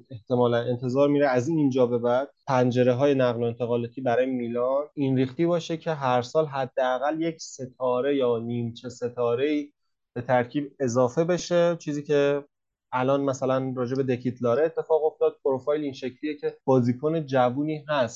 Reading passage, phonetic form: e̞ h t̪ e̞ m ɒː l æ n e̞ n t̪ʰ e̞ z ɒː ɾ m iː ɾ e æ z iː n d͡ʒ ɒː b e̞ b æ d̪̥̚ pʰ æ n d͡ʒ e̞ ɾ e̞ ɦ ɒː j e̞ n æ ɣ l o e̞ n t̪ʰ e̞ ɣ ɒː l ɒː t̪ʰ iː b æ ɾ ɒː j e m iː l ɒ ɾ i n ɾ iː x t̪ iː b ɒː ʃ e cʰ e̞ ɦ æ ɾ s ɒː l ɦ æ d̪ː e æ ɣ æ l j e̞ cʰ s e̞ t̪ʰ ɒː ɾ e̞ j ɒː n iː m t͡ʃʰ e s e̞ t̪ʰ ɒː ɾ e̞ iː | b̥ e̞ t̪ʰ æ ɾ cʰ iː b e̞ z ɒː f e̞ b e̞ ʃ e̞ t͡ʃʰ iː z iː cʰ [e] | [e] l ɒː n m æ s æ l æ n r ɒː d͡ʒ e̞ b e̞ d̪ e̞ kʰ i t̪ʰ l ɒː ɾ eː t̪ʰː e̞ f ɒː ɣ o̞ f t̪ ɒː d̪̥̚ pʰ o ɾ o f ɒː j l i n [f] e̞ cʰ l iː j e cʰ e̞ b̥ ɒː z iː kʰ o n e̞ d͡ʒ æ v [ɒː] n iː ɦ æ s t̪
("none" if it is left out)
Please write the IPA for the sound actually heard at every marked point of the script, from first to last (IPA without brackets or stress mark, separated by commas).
e, æ, ʃ, uː